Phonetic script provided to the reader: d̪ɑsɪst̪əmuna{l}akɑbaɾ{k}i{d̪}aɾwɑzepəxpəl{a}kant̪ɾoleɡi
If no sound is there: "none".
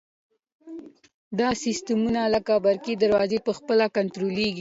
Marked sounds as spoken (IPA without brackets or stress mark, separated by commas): l, k, d̪, a